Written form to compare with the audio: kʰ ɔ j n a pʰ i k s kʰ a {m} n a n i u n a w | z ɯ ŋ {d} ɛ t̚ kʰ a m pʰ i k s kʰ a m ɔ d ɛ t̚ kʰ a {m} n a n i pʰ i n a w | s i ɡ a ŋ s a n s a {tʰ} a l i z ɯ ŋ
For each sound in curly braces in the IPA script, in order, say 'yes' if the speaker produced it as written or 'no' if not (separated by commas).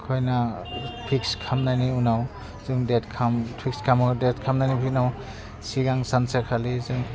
yes, yes, yes, no